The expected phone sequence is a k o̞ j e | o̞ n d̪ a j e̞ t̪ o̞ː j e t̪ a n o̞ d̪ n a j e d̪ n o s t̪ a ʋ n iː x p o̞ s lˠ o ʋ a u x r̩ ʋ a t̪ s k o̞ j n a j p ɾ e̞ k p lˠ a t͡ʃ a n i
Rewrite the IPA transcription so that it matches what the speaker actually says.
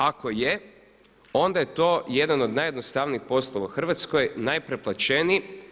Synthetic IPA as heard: a k o̞ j e | o̞ n d̪ a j e̞ t̪ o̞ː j e d̪ a n o̞ d̪ n a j e d̪ n o s t̪ a ʋ n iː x p o̞ s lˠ o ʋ a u x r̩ ʋ a t̪ s k o̞ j n a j p ɾ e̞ p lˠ a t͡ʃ e n i